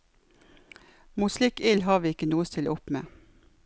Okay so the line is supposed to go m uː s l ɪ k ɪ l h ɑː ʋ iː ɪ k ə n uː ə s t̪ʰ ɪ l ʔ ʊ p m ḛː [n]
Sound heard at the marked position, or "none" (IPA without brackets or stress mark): none